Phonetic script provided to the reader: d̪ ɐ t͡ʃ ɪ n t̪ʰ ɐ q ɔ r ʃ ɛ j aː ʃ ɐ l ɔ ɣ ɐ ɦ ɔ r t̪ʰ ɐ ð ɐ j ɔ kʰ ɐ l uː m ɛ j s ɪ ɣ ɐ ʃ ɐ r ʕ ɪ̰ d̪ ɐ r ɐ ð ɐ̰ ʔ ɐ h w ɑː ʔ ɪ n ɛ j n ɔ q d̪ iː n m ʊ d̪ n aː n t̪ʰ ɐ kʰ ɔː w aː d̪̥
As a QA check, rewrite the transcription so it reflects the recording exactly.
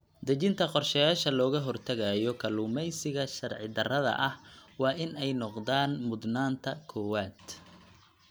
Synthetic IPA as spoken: d̪ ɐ t͡ʃ ɪ n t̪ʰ ɐ q ɔ r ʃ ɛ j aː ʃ ɐ l ɔː ɣ ɐ ɦ ɔ r t̪ʰ ɐ ɣ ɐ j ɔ kʰ ɐ l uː m ɛ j s ɪ ɣ ɐ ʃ ɐ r ʕ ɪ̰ d̪ ɐ r ɐ ð ɐ̰ ʔ ɐ h w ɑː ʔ ɪ n ɛ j n ɔ q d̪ aː n m ʊ d̪ n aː n t̪ʰ ɐ kʰ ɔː w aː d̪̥